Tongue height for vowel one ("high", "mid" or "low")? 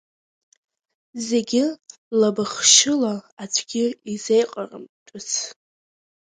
mid